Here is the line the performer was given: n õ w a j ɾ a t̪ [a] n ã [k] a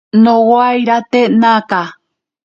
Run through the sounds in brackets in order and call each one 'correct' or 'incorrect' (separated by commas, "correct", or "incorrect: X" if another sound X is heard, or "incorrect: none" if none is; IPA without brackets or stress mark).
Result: incorrect: e, correct